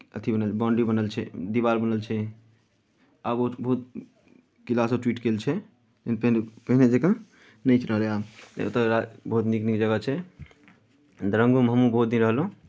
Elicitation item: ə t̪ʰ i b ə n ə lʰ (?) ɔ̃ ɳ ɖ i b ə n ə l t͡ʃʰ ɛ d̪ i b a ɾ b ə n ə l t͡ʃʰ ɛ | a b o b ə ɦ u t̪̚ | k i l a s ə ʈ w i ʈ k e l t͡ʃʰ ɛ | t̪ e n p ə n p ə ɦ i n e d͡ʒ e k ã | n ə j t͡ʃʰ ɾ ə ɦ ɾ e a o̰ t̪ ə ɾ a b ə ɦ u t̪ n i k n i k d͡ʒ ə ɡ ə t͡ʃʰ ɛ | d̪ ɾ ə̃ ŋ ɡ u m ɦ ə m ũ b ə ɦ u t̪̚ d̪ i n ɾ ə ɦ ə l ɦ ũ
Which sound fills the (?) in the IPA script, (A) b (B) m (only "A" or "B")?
A